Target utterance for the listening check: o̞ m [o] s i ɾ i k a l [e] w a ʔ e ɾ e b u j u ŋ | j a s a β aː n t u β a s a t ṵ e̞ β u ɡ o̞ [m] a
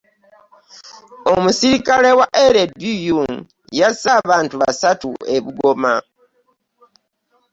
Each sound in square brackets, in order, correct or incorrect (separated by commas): incorrect, correct, correct